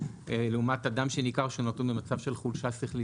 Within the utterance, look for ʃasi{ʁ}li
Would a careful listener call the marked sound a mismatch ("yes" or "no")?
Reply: yes